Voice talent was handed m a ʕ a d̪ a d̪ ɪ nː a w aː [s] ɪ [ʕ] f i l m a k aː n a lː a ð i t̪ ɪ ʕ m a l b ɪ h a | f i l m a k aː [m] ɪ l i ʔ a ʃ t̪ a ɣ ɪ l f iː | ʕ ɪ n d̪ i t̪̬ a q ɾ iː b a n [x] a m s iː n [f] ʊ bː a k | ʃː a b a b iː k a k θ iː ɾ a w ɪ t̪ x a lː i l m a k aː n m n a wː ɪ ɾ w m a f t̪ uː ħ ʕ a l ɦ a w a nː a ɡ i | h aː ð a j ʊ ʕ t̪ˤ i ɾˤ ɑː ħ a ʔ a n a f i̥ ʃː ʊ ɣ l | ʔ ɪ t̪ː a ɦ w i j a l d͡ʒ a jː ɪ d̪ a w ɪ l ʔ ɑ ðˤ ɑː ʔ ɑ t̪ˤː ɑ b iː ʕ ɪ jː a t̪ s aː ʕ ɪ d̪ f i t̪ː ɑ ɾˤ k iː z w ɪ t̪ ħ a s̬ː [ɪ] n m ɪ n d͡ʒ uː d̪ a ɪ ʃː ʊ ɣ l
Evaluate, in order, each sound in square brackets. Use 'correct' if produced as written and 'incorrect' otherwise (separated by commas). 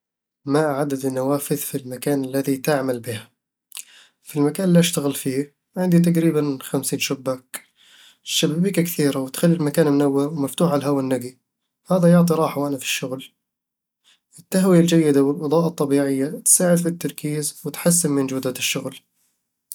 incorrect, incorrect, incorrect, correct, incorrect, correct